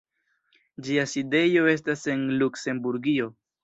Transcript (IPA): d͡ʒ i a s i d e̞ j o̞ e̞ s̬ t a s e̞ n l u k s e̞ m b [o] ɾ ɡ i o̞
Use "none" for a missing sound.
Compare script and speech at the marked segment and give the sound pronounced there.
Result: u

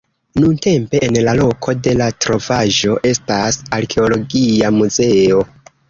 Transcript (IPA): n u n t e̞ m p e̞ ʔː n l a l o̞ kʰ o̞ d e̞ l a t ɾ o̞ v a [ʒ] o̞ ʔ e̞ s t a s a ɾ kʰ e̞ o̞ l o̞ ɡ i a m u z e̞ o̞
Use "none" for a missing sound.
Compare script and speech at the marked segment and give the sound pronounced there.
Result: ʒ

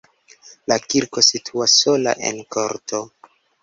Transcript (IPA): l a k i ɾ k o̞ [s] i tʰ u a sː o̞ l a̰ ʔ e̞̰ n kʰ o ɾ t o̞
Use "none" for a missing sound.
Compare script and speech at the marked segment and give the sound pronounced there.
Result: s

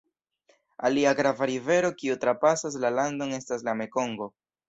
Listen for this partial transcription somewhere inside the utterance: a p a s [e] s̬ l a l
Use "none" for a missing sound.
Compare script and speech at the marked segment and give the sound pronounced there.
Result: a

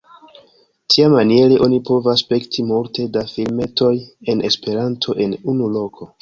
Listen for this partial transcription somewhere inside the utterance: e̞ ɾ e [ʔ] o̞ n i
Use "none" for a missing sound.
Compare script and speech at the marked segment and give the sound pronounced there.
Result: ʔ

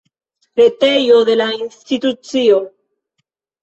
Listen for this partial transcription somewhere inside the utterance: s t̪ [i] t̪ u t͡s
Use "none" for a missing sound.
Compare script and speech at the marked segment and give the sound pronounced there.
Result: i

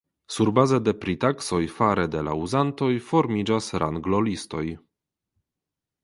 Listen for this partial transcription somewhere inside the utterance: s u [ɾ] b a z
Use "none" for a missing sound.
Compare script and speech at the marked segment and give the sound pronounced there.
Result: ɾ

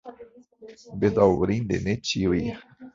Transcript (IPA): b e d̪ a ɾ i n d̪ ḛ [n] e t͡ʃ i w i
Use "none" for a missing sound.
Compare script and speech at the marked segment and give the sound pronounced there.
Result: n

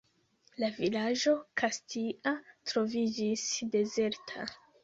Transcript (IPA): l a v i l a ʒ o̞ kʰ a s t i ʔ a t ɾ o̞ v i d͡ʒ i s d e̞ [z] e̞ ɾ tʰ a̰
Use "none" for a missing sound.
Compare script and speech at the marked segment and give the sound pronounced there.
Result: z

